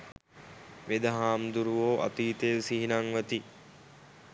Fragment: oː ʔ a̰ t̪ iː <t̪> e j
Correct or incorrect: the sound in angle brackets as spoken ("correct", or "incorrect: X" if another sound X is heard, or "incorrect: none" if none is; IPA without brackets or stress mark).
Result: correct